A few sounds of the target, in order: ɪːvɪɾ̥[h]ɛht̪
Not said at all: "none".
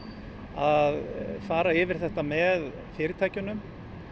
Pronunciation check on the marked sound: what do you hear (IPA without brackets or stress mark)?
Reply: θ